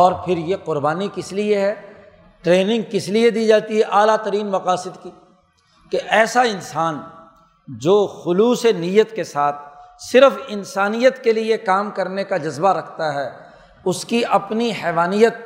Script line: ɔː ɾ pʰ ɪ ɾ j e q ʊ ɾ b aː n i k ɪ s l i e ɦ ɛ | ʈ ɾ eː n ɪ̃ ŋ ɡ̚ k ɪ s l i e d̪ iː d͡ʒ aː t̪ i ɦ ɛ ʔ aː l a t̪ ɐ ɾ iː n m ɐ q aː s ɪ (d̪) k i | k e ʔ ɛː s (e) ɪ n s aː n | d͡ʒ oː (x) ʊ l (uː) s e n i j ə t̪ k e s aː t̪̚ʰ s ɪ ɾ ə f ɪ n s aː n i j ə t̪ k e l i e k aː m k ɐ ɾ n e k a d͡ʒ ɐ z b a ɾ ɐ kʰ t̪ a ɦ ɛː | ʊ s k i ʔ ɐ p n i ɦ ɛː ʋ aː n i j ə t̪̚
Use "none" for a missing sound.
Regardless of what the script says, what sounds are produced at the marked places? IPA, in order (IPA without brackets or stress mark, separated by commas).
d̪, a, x, uː